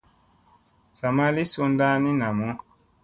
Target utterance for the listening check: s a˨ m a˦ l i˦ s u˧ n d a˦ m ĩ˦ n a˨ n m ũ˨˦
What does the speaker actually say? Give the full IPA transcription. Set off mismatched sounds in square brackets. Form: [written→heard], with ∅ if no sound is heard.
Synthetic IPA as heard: s a˨ m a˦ l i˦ s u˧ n d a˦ [m→n] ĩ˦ n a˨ [n→∅] m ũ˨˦